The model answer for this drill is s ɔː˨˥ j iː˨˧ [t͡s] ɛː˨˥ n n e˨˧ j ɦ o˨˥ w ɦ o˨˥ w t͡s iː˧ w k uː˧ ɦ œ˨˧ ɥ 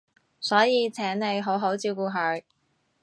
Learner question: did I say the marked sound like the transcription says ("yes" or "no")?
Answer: no